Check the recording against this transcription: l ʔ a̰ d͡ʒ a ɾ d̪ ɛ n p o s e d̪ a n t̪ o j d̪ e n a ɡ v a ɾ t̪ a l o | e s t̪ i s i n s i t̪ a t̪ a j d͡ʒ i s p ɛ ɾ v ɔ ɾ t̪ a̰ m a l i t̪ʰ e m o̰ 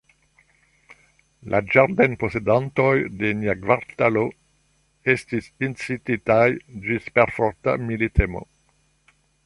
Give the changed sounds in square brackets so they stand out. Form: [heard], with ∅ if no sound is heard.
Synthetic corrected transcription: l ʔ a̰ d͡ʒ a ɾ d̪ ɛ n p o s e d̪ a n t̪ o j d̪ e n a ɡ v a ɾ t̪ a l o | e s t̪ i s i n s i t̪ [i] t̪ a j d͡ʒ i s p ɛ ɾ [f] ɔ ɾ t̪ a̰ m [i] l i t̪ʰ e m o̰